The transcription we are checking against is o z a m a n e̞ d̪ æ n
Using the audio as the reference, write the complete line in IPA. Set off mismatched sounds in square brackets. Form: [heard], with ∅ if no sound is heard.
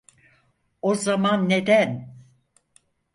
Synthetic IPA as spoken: o z a m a [nː] e̞ d̪ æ n